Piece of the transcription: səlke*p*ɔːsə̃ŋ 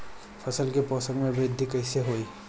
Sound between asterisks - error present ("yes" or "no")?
no